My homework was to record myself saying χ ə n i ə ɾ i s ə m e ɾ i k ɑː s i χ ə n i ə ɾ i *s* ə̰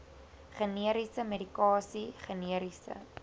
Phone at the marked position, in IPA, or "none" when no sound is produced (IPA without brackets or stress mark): s